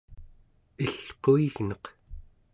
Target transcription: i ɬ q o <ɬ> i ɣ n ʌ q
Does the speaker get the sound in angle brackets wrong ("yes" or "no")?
yes